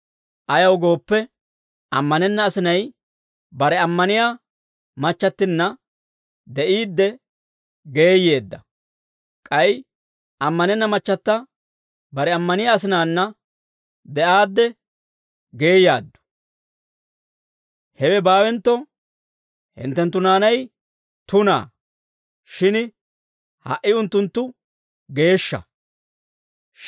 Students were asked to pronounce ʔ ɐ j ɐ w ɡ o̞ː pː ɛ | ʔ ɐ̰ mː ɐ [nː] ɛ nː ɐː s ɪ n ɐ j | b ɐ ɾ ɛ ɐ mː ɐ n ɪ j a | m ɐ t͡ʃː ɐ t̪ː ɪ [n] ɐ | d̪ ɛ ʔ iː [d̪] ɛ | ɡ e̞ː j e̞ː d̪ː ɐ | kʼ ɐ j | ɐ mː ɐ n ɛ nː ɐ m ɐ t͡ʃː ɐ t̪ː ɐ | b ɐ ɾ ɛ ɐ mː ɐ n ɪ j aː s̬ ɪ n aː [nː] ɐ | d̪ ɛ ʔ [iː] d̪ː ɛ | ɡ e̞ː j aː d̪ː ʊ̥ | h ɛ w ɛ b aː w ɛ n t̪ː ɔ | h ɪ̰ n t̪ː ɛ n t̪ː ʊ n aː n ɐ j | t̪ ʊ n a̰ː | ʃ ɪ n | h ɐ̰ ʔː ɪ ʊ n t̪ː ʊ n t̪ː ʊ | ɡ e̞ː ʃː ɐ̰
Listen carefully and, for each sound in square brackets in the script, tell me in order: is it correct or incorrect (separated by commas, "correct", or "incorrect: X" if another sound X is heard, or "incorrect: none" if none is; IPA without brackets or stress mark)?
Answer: incorrect: n, incorrect: nː, incorrect: d̪ː, correct, incorrect: aː